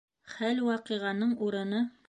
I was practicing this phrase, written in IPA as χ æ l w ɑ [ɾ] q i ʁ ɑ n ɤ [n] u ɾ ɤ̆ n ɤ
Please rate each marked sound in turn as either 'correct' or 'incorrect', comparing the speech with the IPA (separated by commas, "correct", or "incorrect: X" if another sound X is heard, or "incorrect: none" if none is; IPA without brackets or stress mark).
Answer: incorrect: none, incorrect: ɴ